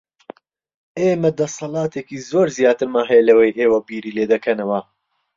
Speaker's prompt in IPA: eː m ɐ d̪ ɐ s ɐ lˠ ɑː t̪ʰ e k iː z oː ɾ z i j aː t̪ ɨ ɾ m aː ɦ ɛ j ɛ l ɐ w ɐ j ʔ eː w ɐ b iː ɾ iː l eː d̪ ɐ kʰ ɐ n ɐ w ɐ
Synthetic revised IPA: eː m ɐ d̪ ɐ s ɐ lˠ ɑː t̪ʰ e k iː z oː ɾ z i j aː t̪ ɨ ɾ m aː ɦ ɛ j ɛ l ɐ w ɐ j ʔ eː w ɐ b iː ɾ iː l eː d̪ ɐ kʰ ɐ n ɐ w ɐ